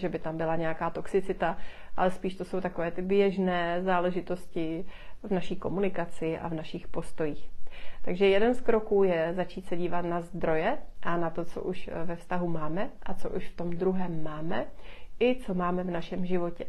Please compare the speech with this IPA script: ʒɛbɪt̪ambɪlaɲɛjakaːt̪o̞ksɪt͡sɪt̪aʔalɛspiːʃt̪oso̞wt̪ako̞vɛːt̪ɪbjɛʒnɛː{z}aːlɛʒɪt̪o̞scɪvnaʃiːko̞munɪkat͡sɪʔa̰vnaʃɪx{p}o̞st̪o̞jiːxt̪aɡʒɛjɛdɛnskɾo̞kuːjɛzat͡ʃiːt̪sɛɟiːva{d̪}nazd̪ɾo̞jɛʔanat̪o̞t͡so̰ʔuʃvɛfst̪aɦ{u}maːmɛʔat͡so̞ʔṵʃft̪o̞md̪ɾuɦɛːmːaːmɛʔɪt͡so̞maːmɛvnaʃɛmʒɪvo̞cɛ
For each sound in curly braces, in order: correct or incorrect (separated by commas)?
correct, correct, incorrect, correct